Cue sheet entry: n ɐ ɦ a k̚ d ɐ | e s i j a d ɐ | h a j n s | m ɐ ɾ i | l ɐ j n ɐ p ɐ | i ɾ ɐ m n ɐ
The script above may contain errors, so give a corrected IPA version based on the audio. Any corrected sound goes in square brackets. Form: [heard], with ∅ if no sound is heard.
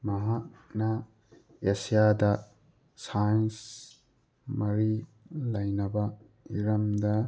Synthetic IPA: [m] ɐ ɦ a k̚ [n] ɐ | e s i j a d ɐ | [s] a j n s | m ɐ ɾ i | l ɐ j n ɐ [b] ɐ | i ɾ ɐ m [d] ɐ